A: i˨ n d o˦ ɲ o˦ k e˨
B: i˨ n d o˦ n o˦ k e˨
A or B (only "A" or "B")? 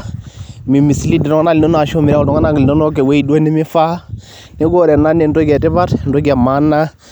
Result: B